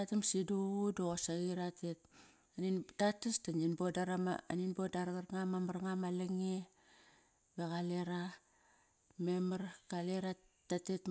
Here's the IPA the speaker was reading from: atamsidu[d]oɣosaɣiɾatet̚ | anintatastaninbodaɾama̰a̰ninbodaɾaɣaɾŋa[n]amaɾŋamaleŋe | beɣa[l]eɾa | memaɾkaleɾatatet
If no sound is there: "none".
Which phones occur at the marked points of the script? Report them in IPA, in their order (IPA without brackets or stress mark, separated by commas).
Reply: d, m, l